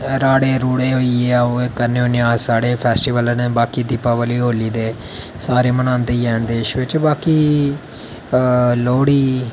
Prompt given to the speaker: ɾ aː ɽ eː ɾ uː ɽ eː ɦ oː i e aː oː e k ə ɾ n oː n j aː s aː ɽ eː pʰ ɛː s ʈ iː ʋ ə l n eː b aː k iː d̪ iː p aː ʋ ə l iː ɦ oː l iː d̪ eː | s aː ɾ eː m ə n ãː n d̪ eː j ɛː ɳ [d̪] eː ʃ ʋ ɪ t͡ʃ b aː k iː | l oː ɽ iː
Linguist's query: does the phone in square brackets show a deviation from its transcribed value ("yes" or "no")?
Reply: no